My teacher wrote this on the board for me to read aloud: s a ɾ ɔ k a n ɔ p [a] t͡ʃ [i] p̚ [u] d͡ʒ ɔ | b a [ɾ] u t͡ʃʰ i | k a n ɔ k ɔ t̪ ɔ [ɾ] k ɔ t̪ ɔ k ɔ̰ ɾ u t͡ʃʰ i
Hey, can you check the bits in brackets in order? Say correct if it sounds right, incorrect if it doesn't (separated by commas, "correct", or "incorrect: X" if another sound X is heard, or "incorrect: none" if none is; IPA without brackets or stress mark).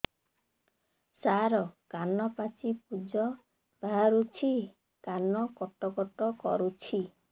correct, correct, correct, correct, incorrect: none